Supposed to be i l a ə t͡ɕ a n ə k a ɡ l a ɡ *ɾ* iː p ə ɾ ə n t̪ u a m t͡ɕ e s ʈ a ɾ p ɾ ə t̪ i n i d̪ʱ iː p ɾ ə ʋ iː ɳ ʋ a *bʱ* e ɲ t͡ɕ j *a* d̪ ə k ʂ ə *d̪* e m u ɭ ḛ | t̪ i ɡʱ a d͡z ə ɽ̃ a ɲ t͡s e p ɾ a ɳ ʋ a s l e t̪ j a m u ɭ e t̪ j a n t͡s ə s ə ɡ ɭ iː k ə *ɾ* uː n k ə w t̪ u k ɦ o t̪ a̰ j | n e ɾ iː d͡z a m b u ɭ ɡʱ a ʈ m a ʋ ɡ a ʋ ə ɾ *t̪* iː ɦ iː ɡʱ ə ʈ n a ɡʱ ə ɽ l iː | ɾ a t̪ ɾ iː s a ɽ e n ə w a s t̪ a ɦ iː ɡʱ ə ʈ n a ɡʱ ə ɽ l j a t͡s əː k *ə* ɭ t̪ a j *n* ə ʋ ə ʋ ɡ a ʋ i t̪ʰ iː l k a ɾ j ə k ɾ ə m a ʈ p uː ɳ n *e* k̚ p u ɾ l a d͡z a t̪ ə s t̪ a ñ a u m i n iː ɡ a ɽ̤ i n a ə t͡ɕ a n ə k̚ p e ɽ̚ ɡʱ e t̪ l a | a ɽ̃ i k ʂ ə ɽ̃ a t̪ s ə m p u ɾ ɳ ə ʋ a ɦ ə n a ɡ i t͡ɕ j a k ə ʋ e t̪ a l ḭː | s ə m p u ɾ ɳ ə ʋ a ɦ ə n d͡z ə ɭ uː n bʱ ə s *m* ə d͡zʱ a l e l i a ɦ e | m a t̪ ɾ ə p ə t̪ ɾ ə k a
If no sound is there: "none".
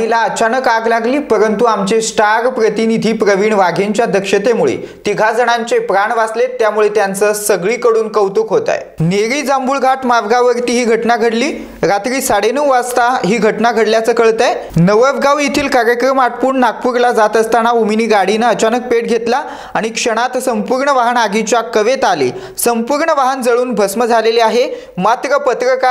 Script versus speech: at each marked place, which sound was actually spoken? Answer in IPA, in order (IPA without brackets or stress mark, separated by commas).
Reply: l, ɡʱ, a, t̪, ɽ, t̪, ə, n, a, m